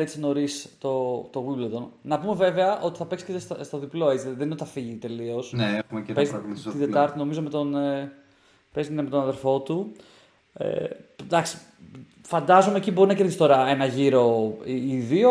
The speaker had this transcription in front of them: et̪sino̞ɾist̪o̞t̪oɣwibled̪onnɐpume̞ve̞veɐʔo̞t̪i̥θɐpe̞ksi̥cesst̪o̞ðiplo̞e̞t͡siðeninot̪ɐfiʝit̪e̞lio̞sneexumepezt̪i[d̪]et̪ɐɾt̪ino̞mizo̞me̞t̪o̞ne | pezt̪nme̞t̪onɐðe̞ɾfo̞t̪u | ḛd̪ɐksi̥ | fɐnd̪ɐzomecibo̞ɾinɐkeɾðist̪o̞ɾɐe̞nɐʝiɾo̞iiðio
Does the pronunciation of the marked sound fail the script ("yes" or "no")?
no